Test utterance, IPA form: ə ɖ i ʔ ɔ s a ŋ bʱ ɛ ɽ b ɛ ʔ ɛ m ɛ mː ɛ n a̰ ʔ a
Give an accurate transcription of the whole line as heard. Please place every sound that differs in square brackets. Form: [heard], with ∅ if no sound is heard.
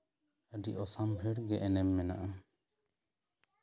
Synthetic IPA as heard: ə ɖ i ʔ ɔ s a [m] bʱ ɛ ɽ [ɡ] ɛ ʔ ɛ [n] ɛ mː ɛ n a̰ ʔ a